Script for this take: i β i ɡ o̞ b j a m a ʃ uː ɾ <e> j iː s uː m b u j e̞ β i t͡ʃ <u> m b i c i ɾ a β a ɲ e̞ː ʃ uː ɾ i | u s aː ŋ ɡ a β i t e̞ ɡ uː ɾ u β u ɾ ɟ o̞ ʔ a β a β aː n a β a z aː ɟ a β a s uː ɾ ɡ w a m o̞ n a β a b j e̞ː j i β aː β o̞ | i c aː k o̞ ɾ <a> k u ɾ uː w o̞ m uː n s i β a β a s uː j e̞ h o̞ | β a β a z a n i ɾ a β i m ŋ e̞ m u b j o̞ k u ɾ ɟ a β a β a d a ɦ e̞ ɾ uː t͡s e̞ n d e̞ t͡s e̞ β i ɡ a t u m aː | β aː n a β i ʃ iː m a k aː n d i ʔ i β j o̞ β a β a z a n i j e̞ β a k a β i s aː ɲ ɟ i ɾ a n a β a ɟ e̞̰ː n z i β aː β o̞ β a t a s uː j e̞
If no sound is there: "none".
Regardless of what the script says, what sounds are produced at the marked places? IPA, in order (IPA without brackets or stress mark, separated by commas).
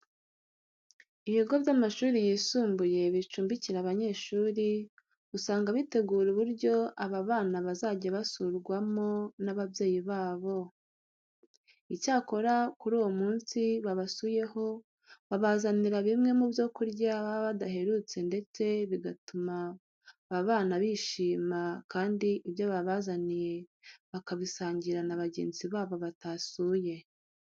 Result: i, uː, a